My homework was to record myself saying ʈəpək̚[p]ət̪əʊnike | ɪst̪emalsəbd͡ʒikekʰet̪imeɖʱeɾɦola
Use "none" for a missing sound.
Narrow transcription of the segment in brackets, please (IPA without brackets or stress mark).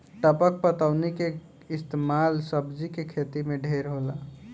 p